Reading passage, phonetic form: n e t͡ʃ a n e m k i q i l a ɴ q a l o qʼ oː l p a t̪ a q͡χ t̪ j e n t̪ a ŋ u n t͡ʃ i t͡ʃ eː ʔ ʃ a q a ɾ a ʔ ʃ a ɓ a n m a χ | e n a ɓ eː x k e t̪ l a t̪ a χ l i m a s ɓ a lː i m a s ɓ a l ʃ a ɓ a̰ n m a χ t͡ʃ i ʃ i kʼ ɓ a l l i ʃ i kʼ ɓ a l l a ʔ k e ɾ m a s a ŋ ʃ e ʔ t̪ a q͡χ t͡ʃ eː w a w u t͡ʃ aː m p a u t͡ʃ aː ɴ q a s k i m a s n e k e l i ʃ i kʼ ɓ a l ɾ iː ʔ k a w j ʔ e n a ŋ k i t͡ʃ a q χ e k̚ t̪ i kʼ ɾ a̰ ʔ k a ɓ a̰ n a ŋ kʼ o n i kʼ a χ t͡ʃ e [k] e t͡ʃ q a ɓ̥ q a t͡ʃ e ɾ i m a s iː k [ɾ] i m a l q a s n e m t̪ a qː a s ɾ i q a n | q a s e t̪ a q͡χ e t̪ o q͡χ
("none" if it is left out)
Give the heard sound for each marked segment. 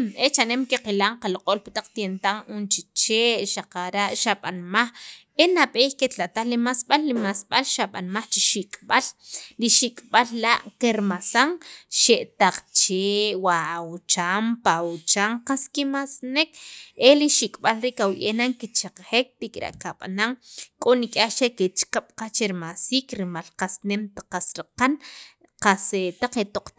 k, ɾ

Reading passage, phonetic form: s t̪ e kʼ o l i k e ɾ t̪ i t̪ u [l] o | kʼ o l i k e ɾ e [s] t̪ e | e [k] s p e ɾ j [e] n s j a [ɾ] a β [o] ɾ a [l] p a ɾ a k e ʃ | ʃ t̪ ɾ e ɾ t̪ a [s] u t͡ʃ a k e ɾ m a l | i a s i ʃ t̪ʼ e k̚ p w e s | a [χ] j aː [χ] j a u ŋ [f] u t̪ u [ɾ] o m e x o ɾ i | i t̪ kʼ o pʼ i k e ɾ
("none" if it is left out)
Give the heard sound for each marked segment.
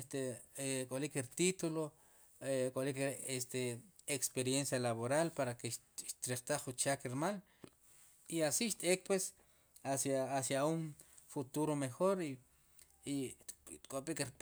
l, s, k, e, l, o, l, χ, s, s, f, ɾ

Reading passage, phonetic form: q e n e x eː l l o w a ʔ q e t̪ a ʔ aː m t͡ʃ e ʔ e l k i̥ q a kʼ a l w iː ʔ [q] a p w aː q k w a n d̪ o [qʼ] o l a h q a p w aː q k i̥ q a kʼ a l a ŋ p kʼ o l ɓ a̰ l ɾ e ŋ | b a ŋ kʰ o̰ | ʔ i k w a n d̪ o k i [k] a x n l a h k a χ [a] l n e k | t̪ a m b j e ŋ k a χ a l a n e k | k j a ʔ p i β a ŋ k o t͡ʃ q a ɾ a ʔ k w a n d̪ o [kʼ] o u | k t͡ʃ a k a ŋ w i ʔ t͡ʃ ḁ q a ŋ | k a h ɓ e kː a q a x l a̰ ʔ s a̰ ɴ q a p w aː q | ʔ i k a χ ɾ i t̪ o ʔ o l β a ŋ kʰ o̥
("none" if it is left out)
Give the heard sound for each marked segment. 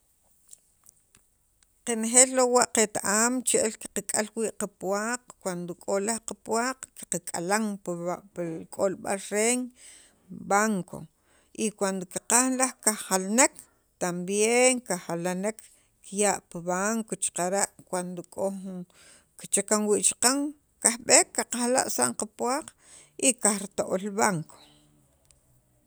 q, kʼ, q, a, kʼ

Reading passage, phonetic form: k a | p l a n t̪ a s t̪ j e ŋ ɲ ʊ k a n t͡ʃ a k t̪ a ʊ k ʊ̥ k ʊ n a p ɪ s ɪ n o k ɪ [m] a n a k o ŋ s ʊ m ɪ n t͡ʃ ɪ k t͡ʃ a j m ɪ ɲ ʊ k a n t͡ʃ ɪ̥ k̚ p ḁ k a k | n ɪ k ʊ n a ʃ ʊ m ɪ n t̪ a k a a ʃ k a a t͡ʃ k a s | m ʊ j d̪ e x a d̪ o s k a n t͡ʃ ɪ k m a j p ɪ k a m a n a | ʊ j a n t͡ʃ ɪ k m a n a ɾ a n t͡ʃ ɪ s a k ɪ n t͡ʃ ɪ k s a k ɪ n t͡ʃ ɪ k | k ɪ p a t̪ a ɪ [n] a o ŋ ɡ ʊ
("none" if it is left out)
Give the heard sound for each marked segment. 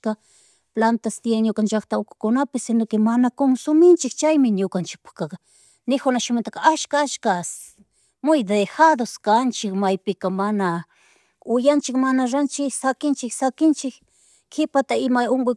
m, m

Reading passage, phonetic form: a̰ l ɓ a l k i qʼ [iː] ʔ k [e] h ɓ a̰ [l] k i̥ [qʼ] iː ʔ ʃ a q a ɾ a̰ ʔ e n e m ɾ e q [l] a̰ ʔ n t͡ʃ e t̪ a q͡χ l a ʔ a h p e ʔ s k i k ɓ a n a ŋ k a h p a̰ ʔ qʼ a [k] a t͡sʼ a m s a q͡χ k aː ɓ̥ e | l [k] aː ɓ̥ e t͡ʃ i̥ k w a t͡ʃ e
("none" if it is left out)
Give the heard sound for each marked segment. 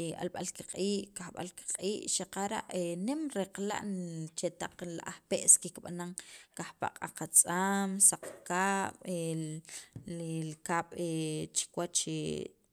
iː, a, l, qʼ, l, q, k

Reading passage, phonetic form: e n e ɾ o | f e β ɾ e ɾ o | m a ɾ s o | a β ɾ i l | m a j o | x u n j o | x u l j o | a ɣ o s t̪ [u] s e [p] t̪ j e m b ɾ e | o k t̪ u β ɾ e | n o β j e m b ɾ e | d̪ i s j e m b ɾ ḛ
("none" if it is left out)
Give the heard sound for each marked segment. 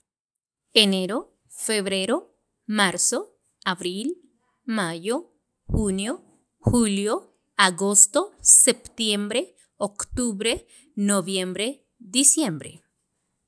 o, p

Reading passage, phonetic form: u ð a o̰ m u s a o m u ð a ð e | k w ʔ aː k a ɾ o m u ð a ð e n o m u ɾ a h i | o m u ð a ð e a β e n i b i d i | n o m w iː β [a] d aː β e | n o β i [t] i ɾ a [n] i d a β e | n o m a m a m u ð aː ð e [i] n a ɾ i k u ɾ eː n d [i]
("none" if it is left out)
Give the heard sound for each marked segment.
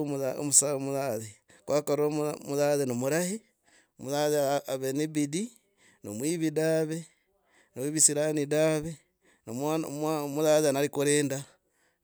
i, s, n, a, a

